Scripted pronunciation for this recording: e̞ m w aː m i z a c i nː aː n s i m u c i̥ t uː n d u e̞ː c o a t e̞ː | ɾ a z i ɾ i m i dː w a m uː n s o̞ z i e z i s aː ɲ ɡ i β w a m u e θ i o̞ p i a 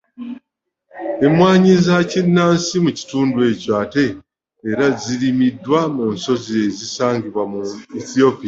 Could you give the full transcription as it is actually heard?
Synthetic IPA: e̞ m w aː ɲ i z a c i nː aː n s i m u c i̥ t uː n d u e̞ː c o a t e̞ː | ɾ a z i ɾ i m i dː w a m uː n s o̞ z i e z i s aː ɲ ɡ i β w a m u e θ i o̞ p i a